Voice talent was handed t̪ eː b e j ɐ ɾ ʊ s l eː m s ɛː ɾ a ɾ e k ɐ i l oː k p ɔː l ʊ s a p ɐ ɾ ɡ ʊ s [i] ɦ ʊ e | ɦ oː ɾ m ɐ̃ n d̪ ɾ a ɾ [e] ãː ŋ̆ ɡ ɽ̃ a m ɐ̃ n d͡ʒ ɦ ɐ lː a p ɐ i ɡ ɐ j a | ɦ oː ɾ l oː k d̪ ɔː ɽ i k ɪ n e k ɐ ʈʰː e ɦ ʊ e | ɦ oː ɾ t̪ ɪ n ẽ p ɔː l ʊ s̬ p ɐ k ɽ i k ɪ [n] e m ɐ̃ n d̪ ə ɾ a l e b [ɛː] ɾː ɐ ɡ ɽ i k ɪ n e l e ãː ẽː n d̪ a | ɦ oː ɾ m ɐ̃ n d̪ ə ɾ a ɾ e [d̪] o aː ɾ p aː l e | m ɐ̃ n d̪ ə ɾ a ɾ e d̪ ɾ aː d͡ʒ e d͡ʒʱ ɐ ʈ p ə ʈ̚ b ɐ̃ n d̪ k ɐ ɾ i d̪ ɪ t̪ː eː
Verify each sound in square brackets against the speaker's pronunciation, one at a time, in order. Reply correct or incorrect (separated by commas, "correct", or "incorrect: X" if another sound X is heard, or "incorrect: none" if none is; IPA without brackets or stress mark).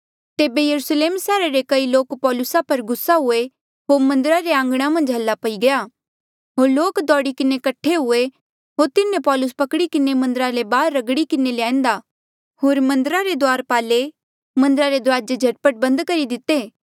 incorrect: a, correct, correct, incorrect: aː, correct